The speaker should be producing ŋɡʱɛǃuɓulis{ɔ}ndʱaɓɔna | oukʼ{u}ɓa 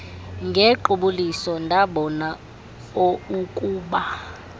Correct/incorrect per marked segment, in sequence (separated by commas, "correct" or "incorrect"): correct, incorrect